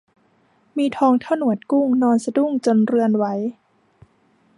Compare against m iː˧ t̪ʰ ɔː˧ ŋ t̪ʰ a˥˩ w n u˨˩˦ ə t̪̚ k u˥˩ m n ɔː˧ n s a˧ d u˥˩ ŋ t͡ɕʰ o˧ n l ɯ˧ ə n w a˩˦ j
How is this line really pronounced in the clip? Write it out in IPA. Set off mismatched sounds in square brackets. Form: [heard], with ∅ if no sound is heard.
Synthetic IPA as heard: m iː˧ t̪ʰ ɔː˧ ŋ t̪ʰ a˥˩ w n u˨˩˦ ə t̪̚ k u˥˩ [ŋ] n ɔː˧ n s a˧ d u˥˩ ŋ [t͡ɕ] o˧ n [ɾ] ɯ˧ ə n w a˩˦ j

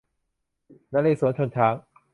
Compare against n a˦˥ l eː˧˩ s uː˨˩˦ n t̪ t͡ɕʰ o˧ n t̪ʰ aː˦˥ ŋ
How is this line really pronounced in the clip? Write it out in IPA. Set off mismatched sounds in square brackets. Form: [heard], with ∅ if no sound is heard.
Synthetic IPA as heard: n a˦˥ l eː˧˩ s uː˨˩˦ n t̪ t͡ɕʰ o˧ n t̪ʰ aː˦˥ ŋ

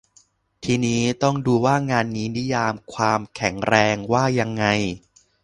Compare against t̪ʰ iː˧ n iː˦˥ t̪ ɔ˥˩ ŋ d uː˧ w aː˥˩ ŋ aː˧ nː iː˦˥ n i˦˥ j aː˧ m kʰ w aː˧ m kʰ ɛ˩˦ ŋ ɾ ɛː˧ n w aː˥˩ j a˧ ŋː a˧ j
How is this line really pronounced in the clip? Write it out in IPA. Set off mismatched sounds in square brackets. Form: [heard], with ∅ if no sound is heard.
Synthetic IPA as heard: t̪ʰ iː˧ n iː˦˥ t̪ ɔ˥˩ ŋ d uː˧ w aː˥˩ ŋ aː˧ nː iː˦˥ n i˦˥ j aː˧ m kʰ w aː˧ m kʰ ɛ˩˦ ŋ ɾ ɛː˧ [ŋ] w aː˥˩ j a˧ ŋː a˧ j

